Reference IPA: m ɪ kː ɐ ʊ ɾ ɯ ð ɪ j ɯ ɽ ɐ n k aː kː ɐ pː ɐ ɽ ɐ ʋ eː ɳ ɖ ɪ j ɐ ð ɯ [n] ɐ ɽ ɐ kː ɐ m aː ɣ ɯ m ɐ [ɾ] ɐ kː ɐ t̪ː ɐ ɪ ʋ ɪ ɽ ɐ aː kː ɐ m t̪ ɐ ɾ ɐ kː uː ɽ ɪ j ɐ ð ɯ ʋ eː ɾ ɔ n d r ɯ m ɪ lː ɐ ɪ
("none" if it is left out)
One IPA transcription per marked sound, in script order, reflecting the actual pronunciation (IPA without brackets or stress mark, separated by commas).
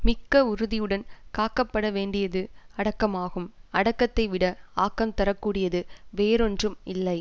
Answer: none, ɽ